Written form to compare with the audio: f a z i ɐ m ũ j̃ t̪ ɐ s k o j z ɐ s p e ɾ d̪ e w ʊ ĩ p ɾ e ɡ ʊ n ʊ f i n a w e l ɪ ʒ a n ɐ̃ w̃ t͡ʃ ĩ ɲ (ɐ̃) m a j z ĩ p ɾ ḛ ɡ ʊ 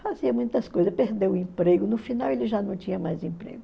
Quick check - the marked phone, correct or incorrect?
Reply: incorrect